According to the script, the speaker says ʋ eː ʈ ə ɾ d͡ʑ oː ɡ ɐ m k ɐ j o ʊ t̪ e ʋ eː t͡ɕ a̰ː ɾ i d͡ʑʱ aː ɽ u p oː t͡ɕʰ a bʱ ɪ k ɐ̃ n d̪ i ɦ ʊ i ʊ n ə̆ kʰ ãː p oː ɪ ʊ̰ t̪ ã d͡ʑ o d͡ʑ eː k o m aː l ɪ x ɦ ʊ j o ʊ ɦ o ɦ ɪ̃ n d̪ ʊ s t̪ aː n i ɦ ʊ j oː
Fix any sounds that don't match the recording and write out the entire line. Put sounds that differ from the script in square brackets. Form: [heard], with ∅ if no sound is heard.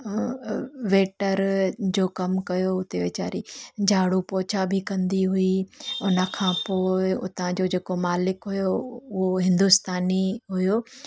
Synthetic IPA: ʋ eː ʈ ə ɾ d͡ʑ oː [k] ɐ m k ɐ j o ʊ t̪ e ʋ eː t͡ɕ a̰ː ɾ i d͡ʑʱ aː ɽ u p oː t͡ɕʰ a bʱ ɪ k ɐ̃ n d̪ i ɦ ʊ i ʊ n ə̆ kʰ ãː p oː ɪ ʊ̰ t̪ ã d͡ʑ o d͡ʑ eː k o m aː l ɪ [k] ɦ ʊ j o ʊ ɦ o ɦ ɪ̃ n d̪ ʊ s t̪ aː n i ɦ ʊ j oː

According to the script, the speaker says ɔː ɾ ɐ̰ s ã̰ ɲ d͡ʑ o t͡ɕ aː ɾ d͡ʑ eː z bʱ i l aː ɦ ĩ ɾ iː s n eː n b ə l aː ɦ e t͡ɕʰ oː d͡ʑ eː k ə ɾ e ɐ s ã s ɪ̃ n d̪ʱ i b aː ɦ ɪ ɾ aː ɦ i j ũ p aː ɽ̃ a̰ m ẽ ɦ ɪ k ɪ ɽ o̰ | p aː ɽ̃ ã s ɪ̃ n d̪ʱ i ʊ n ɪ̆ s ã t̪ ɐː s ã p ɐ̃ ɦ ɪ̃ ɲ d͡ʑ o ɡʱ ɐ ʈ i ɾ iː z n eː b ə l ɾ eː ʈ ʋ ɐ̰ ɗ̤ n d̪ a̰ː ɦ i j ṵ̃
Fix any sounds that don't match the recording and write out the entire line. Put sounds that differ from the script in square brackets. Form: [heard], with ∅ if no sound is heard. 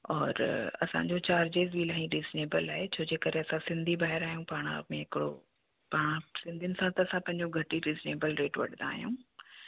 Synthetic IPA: ɔː ɾ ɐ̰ s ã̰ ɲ d͡ʑ o t͡ɕ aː ɾ d͡ʑ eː z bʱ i l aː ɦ ĩ ɾ iː [z] n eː [∅] b ə l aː ɦ e t͡ɕʰ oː d͡ʑ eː k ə ɾ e ɐ s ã s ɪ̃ n d̪ʱ i b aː ɦ ɪ ɾ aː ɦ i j ũ p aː ɽ̃ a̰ m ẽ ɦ ɪ k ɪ ɽ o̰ | p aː ɽ̃ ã s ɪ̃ n d̪ʱ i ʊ n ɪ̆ s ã t̪ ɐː s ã p ɐ̃ ɦ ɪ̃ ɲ d͡ʑ o ɡʱ ɐ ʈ i ɾ iː z n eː b ə l ɾ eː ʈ ʋ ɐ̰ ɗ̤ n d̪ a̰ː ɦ i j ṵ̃

